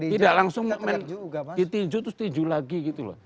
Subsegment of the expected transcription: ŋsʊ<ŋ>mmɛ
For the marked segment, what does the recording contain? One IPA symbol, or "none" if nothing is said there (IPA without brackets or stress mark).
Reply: ŋ